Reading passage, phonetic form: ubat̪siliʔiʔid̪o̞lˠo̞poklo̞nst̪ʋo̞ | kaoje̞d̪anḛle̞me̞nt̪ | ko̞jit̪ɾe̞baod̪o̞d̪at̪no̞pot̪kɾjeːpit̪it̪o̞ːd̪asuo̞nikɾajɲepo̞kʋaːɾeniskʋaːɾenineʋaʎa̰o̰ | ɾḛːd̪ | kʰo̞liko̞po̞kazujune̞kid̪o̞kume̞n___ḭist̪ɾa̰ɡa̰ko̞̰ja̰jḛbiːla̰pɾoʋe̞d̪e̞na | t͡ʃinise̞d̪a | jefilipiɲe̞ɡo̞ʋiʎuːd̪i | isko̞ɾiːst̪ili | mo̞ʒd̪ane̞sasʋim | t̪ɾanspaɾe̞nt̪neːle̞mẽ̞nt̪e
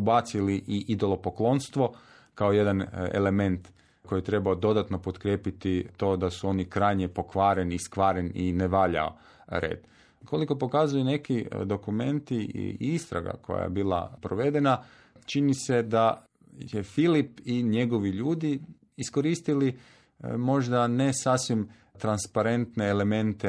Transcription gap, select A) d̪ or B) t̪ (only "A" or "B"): B